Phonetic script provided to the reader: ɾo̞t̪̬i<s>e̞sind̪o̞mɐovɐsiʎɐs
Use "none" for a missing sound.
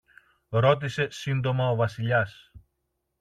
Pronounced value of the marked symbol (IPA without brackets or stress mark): s